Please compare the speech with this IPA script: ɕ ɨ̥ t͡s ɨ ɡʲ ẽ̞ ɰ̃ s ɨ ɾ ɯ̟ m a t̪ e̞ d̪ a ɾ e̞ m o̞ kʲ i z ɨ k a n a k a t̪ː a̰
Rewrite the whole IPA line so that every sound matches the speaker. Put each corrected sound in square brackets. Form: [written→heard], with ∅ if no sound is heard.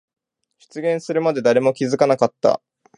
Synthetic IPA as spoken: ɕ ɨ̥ t͡s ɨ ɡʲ ẽ̞ ɰ̃ s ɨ ɾ ɯ̟ m a [t̪→d̪] e̞ d̪ a ɾ e̞ m o̞ kʲ i z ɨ k a n a k a t̪ː a̰